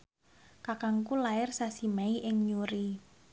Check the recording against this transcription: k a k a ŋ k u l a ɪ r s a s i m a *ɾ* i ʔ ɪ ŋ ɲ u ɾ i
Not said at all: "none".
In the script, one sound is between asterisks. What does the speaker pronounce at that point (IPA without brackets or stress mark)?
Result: none